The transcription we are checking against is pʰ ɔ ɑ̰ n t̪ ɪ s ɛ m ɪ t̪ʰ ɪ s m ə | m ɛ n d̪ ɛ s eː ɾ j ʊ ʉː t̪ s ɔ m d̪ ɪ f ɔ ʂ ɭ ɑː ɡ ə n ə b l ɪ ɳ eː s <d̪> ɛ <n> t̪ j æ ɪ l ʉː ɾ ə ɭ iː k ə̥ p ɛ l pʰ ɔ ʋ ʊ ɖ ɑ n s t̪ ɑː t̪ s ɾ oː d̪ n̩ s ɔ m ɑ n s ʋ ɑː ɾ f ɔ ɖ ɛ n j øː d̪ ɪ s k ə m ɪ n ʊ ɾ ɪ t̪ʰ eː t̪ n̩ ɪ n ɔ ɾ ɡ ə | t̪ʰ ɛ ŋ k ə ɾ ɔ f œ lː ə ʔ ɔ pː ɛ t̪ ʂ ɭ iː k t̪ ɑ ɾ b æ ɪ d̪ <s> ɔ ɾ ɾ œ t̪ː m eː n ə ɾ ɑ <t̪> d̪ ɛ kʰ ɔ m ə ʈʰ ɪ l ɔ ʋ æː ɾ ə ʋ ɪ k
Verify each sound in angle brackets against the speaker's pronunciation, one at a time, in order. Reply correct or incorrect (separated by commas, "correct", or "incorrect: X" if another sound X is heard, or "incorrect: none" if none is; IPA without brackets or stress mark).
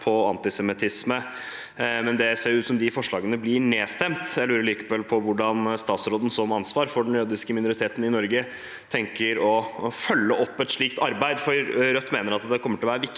incorrect: t̪, incorrect: m, incorrect: f, correct